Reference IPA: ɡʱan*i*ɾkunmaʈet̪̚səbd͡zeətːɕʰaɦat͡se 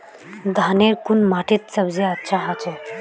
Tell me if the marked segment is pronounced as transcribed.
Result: no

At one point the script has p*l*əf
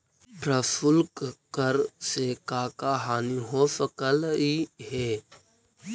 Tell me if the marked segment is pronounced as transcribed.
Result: no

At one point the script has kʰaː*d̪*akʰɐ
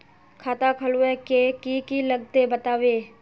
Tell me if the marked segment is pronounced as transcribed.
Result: no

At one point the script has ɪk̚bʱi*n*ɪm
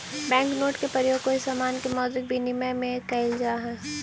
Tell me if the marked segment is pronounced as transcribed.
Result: yes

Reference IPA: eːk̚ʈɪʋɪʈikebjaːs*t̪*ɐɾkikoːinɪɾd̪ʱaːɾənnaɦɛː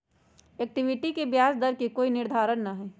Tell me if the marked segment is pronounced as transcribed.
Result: no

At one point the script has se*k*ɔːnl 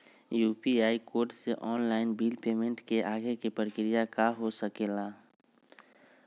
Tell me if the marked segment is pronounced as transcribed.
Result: no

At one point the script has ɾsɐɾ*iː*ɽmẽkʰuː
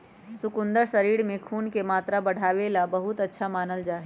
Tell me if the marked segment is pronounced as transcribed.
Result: yes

